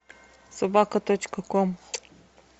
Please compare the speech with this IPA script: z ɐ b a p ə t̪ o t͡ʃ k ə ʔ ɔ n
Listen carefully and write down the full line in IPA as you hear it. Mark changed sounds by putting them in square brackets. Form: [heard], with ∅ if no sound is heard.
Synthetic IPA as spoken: [s] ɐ b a [k] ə t̪ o t͡ʃ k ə [k] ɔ [m]

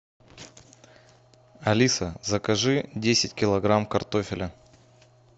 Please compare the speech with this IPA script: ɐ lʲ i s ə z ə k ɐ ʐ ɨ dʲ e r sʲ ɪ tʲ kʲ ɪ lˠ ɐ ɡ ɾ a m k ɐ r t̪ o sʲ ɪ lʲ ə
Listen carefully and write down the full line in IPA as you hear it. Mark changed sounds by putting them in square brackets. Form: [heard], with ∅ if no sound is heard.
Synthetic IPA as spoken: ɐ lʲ i s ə z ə k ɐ ʐ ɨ dʲ e [∅] sʲ ɪ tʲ kʲ ɪ lˠ ɐ ɡ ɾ a m k ɐ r t̪ o [fʲ] ɪ lʲ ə

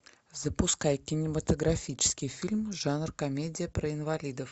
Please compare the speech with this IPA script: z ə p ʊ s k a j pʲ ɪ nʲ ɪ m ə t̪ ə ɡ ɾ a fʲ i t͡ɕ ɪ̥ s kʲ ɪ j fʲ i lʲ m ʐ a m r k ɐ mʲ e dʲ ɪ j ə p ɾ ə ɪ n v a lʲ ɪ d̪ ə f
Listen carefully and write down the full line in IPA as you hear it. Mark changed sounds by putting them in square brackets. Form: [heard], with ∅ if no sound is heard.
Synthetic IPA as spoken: z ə p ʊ s k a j [kʲ] ɪ nʲ ɪ m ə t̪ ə ɡ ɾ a fʲ i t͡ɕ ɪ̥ s kʲ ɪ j fʲ i lʲ m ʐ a [n] r k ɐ mʲ e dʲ ɪ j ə p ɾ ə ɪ n v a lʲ [i] d̪ ə f

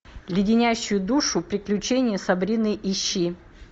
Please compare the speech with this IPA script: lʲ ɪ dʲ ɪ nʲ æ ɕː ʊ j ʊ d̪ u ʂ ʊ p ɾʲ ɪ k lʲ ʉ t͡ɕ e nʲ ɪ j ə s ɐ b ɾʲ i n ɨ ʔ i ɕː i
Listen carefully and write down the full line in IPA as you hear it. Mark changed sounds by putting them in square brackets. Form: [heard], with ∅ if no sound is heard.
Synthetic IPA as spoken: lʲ ɪ dʲ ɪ nʲ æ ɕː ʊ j ʊ d̪ u ʂ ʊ p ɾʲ ɪ k lʲ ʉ t͡ɕ e nʲ ɪ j ə s ɐ b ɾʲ i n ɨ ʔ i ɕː i

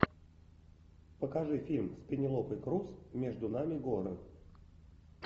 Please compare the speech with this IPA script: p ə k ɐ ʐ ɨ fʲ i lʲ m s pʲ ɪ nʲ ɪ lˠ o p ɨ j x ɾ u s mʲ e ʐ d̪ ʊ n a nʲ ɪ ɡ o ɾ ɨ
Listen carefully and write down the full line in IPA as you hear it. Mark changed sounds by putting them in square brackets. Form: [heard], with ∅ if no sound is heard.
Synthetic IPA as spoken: p ə k ɐ ʐ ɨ fʲ i lʲ m s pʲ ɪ nʲ ɪ lˠ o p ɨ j [k] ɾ u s mʲ e ʐ d̪ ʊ n a [mʲ] ɪ ɡ o ɾ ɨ

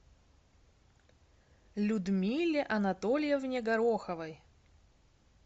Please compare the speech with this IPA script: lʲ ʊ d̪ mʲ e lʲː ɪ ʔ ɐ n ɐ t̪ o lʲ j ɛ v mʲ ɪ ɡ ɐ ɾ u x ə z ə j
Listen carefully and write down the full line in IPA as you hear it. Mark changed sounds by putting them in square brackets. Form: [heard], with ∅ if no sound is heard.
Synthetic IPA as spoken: lʲ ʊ d̪ mʲ [i] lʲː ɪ ʔ ɐ n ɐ t̪ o lʲ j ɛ v [nʲ] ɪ ɡ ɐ ɾ [o] x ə [v] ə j

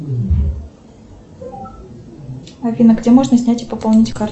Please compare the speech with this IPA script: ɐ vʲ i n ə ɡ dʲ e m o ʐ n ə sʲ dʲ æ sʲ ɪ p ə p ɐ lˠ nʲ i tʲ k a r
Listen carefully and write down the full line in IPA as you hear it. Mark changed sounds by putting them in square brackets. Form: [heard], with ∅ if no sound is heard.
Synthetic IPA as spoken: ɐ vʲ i n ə ɡ dʲ e m o ʐ n ə sʲ [nʲ] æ [tʲ] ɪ p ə p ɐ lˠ nʲ i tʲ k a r

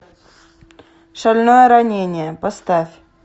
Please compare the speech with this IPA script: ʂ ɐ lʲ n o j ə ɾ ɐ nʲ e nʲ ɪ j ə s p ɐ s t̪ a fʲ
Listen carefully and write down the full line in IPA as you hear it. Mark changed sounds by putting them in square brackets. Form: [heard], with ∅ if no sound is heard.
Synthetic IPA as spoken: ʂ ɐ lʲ n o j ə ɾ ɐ nʲ e nʲ ɪ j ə [∅] p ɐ s t̪ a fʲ

